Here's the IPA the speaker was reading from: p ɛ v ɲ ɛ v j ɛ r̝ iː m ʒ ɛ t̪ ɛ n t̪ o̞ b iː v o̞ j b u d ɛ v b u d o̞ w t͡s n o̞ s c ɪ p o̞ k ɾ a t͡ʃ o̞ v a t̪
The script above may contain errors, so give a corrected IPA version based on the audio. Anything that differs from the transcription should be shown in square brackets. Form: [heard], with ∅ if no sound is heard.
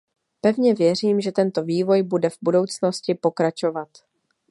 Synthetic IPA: p ɛ v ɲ ɛ v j ɛ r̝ iː m ʒ ɛ t̪ ɛ n t̪ o̞ [v] iː v o̞ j b u d ɛ v b u d o̞ w t͡s n o̞ s c ɪ p o̞ k ɾ a t͡ʃ o̞ v a t̪